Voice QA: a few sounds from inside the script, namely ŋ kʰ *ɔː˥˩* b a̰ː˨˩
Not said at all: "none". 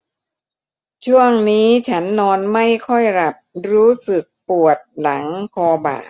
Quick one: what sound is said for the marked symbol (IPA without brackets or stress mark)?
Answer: ɔː˧